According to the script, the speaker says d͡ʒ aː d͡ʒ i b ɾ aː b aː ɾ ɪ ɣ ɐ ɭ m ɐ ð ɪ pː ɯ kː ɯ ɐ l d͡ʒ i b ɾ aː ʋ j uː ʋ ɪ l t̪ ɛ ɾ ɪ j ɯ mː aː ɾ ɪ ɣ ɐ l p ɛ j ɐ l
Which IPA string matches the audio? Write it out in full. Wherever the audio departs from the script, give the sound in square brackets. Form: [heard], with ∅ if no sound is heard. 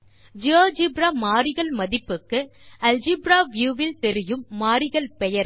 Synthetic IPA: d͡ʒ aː d͡ʒ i b ɾ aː [m] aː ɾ ɪ ɣ ɐ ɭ m ɐ ð ɪ pː ɯ kː ɯ ɐ l d͡ʒ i b ɾ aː ʋ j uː ʋ ɪ l t̪ ɛ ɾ ɪ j ɯ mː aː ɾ ɪ ɣ ɐ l p ɛ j ɐ [ɾ]